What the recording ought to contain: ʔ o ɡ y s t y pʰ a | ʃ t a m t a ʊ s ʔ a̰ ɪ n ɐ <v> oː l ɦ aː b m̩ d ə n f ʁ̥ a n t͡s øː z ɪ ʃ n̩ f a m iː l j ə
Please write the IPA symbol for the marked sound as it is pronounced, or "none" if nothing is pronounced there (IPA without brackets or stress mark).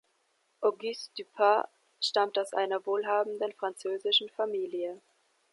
v